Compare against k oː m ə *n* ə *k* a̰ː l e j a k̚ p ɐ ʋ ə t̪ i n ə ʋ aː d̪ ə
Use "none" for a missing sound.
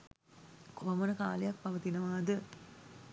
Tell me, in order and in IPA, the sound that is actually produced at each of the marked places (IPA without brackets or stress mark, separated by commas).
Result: n, k